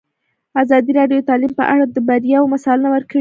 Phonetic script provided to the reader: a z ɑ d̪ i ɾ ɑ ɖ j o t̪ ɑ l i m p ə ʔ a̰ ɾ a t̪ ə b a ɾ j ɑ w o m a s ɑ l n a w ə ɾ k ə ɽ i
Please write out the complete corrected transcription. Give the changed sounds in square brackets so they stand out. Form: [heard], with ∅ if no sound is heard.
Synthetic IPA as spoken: a z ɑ d̪ i ɾ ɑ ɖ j o t̪ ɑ l i m p ə ʔ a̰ [ɽ] a [d̪] ə b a ɾ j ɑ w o m a s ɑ l n a w ə ɾ k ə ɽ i